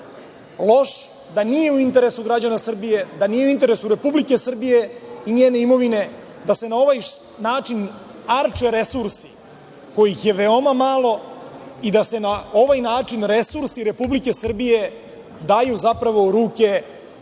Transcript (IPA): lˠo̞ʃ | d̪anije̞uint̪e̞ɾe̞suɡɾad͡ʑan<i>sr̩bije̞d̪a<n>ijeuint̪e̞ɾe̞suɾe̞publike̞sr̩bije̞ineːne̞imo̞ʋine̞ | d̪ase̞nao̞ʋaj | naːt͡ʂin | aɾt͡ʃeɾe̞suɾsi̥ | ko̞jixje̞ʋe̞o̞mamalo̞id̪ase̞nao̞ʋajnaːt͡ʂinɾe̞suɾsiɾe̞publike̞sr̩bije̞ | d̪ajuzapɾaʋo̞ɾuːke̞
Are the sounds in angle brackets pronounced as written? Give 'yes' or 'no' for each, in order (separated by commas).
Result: no, yes